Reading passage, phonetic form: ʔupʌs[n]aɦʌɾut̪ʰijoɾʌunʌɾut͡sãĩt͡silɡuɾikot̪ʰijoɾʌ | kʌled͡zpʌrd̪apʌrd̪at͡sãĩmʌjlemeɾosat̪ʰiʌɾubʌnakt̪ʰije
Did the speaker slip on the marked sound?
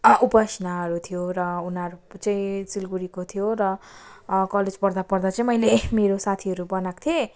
no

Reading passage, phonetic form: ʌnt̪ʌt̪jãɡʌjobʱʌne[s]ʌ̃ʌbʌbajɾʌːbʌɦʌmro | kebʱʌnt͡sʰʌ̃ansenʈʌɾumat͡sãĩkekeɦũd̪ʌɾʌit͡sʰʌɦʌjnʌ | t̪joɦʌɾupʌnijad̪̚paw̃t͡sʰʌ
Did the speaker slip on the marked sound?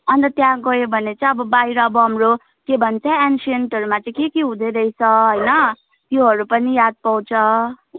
yes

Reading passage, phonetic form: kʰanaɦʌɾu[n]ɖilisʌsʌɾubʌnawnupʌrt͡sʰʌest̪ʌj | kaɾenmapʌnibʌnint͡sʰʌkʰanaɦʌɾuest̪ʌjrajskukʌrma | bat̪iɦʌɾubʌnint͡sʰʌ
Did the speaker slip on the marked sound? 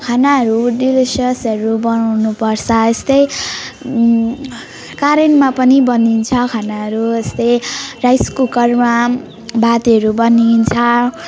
yes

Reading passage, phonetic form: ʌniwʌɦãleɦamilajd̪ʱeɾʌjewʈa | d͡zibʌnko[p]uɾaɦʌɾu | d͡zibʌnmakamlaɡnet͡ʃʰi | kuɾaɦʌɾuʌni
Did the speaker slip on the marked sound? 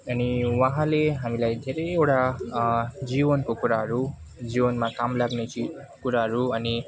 yes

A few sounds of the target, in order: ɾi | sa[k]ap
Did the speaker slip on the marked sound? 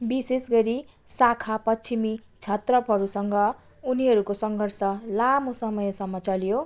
yes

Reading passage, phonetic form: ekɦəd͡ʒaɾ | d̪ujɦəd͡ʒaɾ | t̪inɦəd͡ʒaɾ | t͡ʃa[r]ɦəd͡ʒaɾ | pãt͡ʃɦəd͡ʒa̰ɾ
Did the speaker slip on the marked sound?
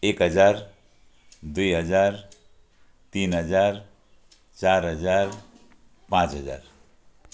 yes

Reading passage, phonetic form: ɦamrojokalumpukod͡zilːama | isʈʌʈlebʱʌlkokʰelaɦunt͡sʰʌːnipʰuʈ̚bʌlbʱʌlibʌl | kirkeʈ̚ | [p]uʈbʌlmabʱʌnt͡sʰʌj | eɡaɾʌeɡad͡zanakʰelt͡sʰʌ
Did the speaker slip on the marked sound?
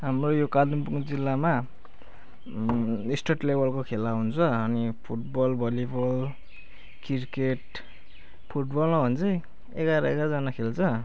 yes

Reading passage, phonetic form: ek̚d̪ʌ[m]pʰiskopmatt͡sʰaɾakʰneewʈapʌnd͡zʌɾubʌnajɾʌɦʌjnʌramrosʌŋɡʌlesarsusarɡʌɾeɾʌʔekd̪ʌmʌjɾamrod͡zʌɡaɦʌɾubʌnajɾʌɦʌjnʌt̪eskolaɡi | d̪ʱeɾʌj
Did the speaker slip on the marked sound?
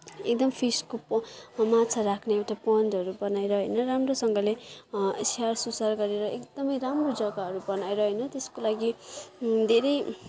no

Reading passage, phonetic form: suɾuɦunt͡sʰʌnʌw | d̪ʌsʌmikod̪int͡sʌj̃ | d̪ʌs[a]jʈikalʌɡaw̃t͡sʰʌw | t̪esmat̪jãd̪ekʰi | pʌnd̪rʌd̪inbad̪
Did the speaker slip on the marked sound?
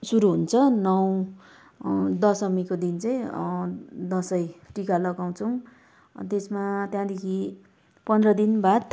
yes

